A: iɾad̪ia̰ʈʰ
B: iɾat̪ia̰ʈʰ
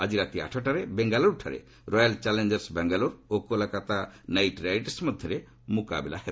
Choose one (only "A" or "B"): B